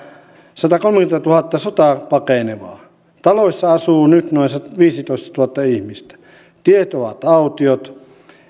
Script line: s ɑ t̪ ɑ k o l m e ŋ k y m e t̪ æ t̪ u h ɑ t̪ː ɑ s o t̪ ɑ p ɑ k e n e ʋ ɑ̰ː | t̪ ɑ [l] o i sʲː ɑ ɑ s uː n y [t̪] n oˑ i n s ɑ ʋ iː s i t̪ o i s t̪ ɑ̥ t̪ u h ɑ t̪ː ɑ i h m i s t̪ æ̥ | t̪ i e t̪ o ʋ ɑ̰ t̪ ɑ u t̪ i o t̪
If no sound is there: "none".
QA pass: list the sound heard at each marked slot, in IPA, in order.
l, t̪

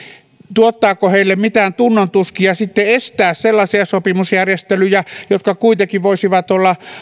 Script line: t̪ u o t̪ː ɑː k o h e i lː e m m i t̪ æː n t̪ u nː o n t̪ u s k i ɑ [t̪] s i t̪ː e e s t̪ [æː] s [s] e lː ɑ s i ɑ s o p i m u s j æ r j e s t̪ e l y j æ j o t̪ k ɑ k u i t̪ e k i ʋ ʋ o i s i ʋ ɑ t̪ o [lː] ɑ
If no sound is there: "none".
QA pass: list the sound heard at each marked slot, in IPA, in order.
none, æː, s, lː

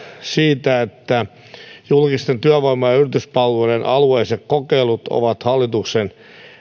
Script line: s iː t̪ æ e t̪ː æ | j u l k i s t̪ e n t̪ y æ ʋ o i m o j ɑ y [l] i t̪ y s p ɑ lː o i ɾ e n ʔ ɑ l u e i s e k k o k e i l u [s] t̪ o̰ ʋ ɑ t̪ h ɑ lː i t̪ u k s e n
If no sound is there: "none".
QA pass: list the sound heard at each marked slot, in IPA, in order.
r, none

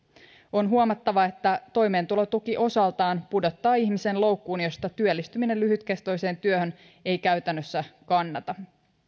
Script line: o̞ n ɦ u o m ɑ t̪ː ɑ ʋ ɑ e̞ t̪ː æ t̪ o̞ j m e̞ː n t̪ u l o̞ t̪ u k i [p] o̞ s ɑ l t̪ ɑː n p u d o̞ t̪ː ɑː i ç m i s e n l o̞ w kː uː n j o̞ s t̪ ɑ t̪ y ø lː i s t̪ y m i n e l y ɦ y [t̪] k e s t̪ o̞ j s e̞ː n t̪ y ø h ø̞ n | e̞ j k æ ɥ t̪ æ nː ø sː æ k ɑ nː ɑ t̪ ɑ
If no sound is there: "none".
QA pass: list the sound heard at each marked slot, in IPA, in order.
ʔ, t̪

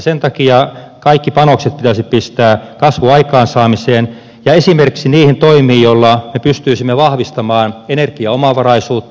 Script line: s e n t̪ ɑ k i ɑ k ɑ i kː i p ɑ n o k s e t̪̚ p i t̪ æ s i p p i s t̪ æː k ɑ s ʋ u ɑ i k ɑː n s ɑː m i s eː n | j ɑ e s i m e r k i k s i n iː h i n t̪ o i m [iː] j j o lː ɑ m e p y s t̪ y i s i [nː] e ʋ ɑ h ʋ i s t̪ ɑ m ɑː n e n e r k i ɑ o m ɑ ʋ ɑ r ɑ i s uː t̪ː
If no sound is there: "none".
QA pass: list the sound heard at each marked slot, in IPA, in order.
iː, mː

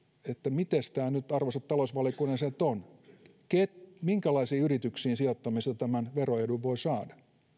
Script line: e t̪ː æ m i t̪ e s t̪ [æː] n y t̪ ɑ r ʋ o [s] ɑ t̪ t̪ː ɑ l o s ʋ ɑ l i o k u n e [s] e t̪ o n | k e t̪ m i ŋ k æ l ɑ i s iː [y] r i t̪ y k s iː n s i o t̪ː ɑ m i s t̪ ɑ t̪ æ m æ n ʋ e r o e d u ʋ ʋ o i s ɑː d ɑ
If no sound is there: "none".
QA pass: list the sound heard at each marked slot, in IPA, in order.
æː, s, s, y

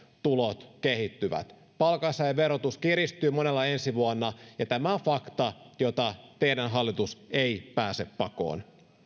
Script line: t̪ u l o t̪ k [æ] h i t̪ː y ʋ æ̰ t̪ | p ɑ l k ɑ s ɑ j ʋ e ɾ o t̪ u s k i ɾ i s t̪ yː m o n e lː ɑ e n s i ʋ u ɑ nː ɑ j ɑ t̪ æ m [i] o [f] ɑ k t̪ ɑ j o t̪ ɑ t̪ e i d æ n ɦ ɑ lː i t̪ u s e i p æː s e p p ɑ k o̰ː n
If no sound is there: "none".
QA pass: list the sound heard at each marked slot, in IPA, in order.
e, æ, f

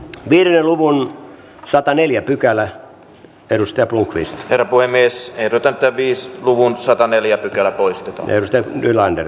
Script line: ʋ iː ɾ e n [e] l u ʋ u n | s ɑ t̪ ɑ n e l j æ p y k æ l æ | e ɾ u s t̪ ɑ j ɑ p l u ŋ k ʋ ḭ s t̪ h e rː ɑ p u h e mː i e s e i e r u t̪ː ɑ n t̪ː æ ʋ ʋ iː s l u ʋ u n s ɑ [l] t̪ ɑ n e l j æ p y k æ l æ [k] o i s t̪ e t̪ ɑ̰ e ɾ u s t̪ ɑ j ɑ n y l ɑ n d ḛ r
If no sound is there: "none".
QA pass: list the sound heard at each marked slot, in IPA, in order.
e, none, p

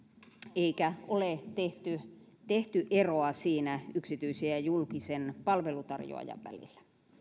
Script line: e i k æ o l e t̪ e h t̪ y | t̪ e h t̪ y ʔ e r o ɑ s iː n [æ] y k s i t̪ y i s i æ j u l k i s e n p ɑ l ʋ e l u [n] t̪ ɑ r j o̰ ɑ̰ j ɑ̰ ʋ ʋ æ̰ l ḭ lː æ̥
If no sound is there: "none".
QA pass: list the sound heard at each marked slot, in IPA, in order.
æ, none

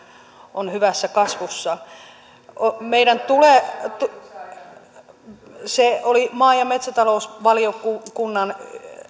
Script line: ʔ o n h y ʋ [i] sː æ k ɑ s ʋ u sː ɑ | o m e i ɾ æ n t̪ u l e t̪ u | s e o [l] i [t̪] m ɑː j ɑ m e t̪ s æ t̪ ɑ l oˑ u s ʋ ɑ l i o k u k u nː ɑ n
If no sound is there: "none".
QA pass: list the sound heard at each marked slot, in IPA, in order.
æ, l, none

